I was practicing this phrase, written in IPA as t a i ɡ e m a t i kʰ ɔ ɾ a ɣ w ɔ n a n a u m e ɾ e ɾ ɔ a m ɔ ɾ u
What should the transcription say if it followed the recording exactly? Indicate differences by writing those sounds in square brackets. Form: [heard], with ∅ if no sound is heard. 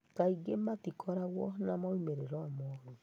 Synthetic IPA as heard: t a i ɡ e m a t i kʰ ɔ ɾ a ɣ w ɔ n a [m] a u m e ɾ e ɾ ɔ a m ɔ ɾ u